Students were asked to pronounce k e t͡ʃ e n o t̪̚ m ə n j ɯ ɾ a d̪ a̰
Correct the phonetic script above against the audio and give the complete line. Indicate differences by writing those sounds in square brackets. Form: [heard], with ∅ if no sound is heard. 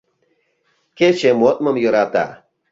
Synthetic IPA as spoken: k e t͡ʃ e [m] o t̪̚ m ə [m] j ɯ ɾ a [t̪] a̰